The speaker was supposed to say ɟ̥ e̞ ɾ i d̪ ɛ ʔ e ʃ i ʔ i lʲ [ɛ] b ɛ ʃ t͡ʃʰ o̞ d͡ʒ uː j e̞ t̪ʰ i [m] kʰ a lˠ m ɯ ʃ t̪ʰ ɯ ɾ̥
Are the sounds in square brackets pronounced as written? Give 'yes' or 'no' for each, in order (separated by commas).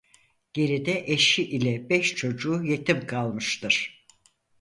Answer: yes, yes